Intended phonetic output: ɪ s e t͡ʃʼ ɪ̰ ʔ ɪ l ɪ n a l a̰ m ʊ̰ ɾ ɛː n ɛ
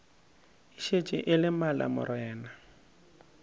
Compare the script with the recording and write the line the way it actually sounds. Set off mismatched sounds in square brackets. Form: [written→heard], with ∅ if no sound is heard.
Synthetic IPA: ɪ [s→ʃ] e t͡ʃʼ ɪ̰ ʔ ɪ l ɪ [n→m] a l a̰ m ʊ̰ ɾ ɛː n [ɛ→a]